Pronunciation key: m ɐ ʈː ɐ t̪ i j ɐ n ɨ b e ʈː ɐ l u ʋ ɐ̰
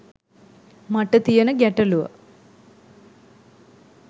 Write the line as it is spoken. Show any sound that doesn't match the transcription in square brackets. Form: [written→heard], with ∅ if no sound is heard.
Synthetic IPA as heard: m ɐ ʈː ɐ t̪ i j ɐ n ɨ [b→ɡ] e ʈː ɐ l u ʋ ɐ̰